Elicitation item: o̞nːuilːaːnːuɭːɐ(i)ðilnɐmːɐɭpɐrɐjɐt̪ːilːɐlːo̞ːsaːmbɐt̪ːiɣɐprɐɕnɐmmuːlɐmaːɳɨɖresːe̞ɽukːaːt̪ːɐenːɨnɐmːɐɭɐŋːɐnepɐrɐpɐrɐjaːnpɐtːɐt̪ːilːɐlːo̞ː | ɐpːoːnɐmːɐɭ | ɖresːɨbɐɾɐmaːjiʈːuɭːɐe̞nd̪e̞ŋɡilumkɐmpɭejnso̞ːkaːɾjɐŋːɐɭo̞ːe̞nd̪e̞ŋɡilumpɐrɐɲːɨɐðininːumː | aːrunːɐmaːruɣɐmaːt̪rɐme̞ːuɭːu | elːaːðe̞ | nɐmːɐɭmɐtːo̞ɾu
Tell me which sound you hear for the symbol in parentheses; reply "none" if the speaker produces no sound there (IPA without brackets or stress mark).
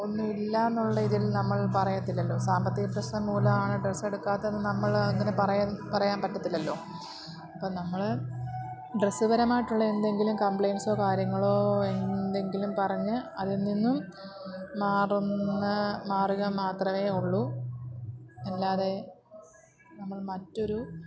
i